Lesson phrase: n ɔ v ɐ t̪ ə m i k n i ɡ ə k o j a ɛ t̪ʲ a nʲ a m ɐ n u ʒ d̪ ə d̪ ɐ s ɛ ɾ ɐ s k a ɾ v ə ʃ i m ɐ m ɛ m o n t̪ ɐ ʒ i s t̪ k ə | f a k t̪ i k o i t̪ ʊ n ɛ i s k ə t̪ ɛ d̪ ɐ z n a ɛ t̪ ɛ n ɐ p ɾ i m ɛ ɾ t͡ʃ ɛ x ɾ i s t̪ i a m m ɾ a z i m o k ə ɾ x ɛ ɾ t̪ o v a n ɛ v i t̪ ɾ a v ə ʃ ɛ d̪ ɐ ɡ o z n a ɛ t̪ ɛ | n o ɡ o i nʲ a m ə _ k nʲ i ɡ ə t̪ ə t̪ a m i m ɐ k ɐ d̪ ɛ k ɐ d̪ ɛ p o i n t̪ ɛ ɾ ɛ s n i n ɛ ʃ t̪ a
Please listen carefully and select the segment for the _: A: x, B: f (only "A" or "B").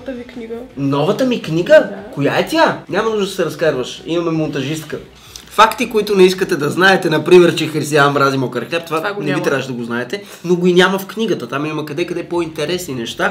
B